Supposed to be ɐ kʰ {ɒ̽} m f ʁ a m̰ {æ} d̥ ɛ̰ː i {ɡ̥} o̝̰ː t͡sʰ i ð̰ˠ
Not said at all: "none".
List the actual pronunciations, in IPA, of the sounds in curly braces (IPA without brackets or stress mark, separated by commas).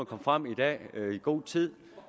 ɒ̽, i, ɡ̥